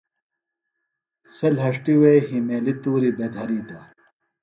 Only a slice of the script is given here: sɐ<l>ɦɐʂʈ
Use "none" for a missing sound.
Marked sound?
l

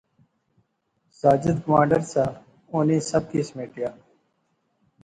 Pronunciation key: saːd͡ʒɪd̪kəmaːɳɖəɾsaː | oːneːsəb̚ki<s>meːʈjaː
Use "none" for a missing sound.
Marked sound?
s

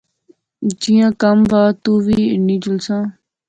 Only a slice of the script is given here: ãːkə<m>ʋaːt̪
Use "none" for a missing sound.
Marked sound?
m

